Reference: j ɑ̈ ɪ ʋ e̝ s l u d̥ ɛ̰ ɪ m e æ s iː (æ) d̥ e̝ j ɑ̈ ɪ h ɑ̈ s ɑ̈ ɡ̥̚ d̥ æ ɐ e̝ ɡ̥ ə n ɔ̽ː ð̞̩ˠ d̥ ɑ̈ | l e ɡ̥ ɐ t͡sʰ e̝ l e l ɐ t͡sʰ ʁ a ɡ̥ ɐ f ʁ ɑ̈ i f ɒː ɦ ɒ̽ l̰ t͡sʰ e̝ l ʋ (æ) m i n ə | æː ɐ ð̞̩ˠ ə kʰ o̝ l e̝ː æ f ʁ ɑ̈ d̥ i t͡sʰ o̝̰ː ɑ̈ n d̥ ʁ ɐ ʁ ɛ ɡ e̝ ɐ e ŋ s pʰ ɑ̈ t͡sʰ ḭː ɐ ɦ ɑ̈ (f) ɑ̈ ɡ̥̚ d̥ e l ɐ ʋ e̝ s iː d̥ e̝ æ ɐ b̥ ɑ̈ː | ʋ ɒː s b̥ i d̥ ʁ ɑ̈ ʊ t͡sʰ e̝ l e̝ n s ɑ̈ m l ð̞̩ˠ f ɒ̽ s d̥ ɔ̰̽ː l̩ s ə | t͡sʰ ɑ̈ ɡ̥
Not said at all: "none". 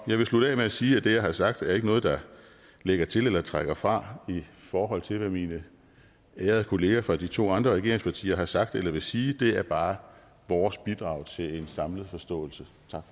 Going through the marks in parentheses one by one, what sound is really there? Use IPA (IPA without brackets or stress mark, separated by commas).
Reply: æ, æ, s